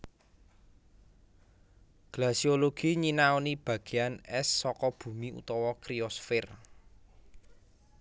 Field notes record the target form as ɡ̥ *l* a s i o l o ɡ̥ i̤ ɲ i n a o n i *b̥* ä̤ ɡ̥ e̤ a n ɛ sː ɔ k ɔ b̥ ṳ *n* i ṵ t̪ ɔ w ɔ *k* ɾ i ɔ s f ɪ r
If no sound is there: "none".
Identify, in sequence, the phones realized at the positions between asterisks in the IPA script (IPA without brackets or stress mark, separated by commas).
l, b̥, m, k